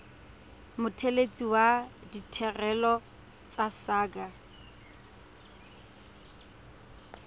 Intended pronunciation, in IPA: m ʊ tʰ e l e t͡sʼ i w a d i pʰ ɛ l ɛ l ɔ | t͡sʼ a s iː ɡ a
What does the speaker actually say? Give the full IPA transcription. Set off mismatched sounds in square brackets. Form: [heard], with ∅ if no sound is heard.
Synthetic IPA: m ʊ tʰ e l e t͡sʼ i w a d i [tʰ] ɛ [r] ɛ l ɔ | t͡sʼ a s [aː] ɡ a